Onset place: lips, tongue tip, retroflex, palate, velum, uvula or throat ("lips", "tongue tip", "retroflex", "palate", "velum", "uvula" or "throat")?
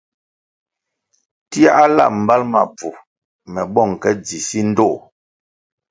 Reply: tongue tip